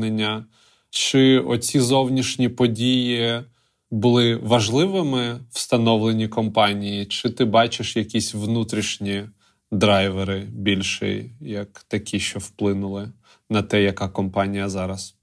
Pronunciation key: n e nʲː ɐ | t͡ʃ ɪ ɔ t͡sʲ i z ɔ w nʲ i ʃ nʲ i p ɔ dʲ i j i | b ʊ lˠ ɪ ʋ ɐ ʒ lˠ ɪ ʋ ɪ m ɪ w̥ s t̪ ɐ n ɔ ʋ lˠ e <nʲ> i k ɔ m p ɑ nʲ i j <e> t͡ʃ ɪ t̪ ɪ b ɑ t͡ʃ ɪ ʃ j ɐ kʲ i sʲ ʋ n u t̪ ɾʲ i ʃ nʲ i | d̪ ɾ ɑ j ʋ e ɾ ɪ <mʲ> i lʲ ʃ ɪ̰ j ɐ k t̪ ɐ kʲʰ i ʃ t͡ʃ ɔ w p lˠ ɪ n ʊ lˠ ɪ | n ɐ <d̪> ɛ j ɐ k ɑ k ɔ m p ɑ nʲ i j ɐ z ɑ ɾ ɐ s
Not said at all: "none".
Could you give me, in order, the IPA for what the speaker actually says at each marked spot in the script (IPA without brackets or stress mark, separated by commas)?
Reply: nʲ, i, bʲ, t̪